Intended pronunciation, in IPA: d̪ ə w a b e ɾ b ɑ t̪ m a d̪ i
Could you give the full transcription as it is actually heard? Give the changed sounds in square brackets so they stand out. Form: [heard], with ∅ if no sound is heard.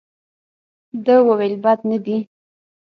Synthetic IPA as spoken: d̪ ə w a [w] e [l] b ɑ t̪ [n] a d̪ i